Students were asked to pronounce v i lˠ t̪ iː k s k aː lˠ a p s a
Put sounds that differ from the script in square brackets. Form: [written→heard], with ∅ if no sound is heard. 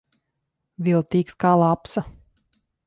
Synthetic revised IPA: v i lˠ t̪ iː k s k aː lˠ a p s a